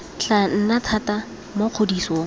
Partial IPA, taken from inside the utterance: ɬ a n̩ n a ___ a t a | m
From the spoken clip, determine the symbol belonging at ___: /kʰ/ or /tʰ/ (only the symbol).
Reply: tʰ